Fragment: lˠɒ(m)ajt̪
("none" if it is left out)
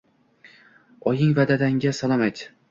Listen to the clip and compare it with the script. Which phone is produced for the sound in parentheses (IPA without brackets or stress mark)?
m